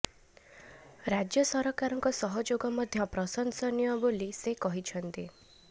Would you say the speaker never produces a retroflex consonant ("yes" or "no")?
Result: yes